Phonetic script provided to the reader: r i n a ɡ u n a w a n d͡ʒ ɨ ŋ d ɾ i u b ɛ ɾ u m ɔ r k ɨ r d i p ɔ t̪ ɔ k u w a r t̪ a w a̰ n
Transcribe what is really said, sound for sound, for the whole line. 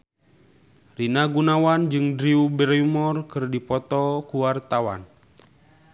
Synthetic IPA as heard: r i n a ɡ u n a w a n d͡ʒ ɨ ŋ d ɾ i u b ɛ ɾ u m ɔ r k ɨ r d i p ɔ t̪ ɔ k u w a r t̪ a w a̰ n